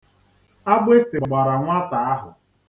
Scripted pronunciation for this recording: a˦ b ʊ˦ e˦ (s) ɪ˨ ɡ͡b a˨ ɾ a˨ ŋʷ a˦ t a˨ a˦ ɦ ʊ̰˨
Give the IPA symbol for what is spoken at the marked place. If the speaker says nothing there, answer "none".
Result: s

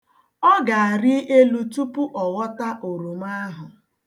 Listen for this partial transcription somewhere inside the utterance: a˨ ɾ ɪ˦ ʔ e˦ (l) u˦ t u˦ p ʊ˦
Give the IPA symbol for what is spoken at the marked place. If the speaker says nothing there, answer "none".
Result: l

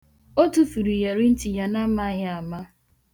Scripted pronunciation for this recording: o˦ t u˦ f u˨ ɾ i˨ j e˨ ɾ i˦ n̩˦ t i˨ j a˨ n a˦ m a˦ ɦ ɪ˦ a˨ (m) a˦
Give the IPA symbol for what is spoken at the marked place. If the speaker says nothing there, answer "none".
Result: m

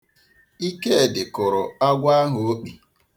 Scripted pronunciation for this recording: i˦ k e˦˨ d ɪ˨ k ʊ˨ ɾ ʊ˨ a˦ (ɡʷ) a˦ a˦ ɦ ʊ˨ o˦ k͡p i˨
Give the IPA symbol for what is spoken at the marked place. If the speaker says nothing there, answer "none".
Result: ɡʷ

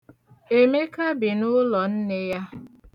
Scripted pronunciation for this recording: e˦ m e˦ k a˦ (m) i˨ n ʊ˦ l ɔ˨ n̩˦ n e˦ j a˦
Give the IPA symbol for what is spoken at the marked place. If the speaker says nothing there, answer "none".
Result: b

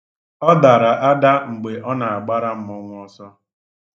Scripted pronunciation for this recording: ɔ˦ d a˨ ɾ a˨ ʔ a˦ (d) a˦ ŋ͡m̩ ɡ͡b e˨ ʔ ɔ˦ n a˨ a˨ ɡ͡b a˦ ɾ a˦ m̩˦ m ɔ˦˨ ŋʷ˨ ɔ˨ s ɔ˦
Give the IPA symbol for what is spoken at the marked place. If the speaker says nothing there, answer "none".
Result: d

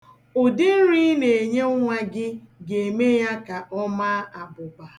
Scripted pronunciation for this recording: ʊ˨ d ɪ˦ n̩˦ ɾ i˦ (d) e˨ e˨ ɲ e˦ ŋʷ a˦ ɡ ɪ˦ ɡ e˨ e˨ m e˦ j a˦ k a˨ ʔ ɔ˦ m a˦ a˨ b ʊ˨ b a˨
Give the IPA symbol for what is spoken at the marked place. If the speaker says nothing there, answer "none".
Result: n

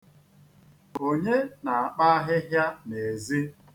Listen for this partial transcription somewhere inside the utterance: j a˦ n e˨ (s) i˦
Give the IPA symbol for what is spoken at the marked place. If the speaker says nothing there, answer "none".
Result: z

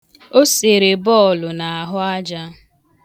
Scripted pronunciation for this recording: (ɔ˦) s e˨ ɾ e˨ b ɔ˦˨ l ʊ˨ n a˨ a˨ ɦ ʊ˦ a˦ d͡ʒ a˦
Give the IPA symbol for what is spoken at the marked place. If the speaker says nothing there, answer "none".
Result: o˦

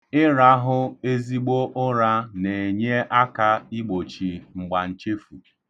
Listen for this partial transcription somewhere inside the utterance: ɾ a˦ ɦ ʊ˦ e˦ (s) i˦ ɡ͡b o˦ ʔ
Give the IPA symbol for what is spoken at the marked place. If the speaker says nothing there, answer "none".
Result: z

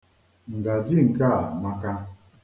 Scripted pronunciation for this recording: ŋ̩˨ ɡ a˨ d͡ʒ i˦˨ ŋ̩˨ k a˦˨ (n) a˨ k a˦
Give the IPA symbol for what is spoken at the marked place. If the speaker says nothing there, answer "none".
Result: m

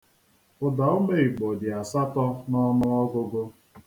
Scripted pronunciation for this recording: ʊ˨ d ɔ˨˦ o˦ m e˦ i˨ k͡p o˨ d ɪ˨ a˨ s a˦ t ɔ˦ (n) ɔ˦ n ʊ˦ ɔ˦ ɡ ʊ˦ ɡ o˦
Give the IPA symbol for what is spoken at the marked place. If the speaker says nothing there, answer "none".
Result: n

